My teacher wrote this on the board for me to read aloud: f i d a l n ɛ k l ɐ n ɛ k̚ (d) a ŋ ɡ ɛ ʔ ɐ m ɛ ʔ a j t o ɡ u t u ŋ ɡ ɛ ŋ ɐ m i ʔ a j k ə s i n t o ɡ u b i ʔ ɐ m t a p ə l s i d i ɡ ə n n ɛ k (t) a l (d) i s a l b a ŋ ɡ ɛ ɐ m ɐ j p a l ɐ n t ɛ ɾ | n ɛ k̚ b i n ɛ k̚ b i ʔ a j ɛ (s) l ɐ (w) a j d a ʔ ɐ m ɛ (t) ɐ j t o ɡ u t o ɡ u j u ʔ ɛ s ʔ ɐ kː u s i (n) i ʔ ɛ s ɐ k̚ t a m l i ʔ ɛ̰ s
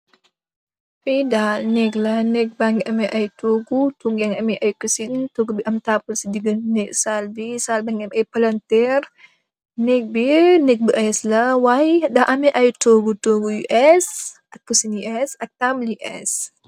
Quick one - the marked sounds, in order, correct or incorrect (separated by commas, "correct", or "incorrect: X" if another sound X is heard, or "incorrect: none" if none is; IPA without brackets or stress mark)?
incorrect: b, incorrect: s, incorrect: b, correct, correct, incorrect: ʔ, correct